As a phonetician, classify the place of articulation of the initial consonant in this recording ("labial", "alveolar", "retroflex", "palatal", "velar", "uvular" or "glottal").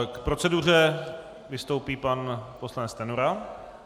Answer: velar